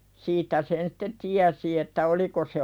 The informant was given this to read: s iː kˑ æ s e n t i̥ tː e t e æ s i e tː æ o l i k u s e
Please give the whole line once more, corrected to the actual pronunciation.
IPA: s iː tˑ æ s e n s i̥ tː e t i æ s i e tː æ o l i k o s e